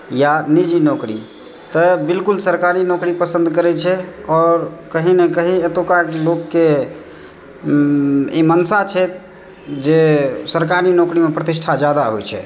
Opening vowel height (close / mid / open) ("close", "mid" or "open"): open